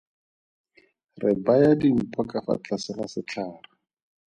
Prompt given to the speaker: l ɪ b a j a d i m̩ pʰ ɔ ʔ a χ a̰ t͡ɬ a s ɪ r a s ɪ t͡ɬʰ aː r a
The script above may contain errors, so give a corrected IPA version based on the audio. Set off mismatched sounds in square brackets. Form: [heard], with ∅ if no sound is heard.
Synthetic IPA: [r] ɪ b a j a d i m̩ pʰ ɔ [k] a [f] a̰ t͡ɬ a s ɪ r a s ɪ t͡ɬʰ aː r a

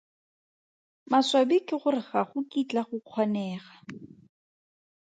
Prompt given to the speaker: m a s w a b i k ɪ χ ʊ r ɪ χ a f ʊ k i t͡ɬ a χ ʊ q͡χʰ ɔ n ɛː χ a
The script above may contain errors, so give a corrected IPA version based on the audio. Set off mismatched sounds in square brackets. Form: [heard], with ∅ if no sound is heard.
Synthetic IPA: m a s w a b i k ɪ χ ʊ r ɪ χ a [χ] ʊ k i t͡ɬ a χ ʊ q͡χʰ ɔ n ɛː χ a

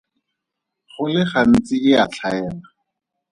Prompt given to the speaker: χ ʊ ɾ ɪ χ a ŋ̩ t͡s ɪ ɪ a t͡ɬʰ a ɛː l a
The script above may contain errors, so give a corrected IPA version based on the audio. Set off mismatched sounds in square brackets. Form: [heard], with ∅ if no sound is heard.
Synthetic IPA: χ ʊ [l] ɪ χ a [n̩] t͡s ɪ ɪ a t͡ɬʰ a ɛː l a

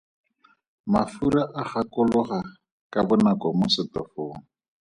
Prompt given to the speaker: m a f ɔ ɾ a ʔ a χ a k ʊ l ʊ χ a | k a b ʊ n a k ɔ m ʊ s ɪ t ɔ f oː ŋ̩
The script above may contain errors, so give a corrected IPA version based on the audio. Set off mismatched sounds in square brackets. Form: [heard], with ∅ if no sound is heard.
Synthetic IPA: m a f [u] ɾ a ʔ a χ a k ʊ l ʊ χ a | k a b ʊ n a k ɔ m ʊ s ɪ t ɔ f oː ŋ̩

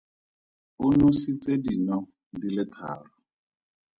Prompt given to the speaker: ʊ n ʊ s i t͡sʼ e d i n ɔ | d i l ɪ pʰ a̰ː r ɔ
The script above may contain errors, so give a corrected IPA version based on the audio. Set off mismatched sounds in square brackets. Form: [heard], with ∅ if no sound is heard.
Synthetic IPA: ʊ n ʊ s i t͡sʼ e d i n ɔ | d i l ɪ [tʰ] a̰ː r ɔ

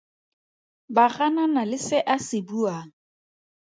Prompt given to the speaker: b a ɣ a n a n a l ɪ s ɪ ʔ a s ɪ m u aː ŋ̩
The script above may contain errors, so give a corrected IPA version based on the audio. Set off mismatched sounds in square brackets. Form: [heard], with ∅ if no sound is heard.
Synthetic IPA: b a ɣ a n a n a l ɪ s ɪ ʔ a s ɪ [b] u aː ŋ̩

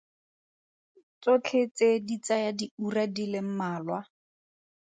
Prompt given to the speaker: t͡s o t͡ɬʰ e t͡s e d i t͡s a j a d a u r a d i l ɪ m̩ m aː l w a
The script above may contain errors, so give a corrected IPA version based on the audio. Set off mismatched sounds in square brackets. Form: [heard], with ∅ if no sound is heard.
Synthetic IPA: t͡s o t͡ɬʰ e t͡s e d i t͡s a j a d [i] u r a d i l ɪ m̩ m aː l w a

